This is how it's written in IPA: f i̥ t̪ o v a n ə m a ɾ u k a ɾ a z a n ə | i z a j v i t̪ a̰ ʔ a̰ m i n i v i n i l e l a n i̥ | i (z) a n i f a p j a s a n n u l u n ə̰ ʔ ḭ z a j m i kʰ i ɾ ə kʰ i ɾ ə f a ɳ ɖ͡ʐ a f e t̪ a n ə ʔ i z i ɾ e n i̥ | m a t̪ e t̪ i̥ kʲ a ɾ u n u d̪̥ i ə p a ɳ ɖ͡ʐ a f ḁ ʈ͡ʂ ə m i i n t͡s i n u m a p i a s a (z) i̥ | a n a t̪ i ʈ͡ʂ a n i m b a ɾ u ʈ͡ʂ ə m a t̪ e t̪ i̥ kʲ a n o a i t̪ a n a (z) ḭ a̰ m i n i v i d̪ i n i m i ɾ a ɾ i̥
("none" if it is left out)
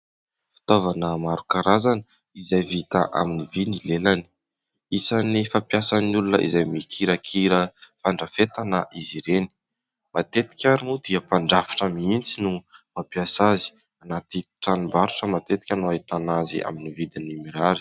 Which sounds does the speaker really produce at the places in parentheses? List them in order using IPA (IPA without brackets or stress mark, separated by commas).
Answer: s, z, z